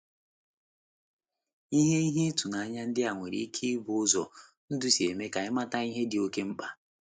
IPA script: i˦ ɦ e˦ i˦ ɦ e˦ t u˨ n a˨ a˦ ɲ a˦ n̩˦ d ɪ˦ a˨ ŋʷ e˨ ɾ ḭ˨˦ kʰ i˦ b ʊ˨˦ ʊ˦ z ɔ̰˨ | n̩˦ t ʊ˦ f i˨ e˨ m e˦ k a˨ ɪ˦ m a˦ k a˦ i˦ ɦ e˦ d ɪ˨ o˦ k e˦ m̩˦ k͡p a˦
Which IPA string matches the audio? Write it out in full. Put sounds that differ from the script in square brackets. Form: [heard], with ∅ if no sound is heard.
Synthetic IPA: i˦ ɦ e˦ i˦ ɦ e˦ t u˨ n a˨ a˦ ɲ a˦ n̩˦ d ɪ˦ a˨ ŋʷ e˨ ɾ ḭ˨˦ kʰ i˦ b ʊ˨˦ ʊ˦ z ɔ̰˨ | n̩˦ [d] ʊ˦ [s] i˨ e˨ m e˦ k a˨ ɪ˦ m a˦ [t] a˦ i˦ ɦ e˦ d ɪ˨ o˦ k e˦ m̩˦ k͡p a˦

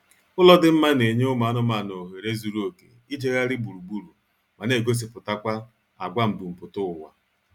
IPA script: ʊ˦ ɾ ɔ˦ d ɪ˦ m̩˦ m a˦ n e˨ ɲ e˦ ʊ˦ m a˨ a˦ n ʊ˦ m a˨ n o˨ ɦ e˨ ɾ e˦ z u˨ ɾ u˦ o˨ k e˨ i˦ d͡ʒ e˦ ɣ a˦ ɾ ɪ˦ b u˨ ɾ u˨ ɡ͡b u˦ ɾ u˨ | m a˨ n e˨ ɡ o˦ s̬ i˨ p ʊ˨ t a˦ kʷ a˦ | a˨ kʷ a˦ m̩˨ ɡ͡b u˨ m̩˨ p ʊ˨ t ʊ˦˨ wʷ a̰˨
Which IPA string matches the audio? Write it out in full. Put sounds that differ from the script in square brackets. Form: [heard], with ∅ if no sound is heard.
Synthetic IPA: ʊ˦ [l] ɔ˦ d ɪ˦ m̩˦ m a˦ n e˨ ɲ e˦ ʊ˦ m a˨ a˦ n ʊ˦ m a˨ n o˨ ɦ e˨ ɾ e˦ z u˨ ɾ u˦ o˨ k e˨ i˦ d͡ʒ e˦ ɣ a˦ ɾ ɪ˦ b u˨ ɾ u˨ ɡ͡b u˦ ɾ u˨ | m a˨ n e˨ ɡ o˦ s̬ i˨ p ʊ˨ t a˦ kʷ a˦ | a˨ [ɡʷ] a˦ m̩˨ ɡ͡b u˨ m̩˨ p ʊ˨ t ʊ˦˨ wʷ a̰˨

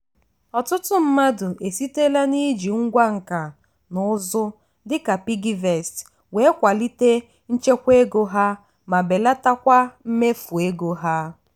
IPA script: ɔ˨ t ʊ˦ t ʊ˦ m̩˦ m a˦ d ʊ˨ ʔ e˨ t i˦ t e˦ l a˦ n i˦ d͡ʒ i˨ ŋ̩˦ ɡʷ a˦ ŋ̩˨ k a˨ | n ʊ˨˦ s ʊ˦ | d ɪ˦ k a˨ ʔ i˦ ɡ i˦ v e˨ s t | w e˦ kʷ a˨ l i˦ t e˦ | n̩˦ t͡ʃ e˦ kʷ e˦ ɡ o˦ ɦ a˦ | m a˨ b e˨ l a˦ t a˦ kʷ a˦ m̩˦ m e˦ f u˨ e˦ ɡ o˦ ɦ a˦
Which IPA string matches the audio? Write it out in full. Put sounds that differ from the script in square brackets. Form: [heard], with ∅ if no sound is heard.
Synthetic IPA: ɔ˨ t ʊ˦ t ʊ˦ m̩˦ m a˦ d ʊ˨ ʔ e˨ [s] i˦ t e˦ l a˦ n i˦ d͡ʒ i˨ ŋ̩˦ ɡʷ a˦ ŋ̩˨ k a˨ | n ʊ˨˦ [z] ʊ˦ | d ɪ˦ k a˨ [p] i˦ ɡ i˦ v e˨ s t | w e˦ kʷ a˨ l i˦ t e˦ | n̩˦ t͡ʃ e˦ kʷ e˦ ɡ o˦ ɦ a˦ | m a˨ b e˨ l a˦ t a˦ kʷ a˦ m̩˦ m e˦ f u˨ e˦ ɡ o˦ ɦ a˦

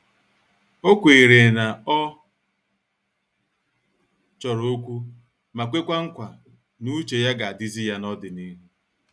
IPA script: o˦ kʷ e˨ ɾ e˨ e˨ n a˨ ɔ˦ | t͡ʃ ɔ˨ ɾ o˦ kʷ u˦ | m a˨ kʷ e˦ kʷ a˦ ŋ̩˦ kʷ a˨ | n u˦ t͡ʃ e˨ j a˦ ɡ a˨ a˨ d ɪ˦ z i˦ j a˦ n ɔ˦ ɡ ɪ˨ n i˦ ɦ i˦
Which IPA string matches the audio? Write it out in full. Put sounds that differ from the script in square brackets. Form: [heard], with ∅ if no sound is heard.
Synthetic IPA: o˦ kʷ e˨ ɾ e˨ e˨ n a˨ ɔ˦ | t͡ʃ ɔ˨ ɾ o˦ kʷ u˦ | m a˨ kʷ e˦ kʷ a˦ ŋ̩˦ kʷ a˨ | n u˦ t͡ʃ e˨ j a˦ ɡ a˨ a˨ d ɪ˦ z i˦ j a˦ n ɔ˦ [d] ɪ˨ n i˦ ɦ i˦

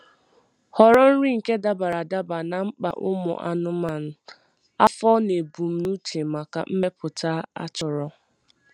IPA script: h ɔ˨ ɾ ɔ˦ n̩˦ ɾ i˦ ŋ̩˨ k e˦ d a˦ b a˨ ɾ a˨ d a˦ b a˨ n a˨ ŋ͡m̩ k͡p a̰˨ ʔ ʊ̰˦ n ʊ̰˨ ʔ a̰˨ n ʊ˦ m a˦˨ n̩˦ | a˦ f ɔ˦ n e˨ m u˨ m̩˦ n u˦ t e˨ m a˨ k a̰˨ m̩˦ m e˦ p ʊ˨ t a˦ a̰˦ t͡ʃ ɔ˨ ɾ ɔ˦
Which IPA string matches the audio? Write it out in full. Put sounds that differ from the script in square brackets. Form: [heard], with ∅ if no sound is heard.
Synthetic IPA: h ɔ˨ ɾ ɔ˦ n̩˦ ɾ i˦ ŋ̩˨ k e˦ d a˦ b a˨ ɾ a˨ d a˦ b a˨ n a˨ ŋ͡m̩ k͡p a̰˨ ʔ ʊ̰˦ [m] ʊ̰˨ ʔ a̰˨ n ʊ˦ m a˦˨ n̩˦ | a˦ f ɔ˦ n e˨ [b] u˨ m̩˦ n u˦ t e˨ m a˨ k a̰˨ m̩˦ m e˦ p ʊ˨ t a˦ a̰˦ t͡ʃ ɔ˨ ɾ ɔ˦

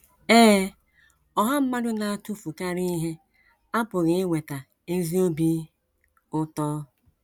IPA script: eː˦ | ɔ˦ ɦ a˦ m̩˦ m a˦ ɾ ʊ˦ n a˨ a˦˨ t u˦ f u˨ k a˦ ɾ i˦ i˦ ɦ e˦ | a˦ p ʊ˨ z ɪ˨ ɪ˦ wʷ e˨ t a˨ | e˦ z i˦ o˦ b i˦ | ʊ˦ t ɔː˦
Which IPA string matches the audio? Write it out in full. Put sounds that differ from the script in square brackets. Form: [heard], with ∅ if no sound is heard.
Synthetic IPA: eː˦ | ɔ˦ ɦ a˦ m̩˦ m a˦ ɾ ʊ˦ n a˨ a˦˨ t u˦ f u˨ k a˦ ɾ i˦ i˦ ɦ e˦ | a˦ p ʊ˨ [ɣ] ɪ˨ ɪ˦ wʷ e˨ t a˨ | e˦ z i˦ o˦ b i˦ | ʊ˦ t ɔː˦

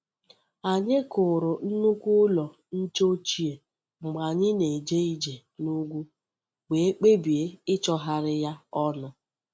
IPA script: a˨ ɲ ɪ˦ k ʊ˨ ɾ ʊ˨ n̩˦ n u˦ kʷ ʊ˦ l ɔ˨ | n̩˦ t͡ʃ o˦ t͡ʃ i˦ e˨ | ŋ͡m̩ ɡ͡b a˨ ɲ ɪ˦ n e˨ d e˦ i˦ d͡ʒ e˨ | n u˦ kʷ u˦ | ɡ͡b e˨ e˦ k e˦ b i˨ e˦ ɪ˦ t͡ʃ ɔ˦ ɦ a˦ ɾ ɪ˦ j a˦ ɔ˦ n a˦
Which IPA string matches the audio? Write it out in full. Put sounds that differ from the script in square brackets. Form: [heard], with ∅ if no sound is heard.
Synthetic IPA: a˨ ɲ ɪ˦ k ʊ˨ ɾ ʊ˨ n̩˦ n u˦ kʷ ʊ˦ l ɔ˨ | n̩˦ t͡ʃ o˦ t͡ʃ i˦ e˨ | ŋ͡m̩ ɡ͡b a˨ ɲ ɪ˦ n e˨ [d͡ʒ] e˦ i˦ d͡ʒ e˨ | n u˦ [ɡʷ] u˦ | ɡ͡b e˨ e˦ [k͡p] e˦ b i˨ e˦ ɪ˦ t͡ʃ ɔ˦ ɦ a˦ ɾ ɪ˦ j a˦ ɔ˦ n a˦

